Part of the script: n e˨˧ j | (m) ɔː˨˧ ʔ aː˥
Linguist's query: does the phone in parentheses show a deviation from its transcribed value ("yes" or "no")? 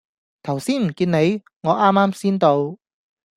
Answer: yes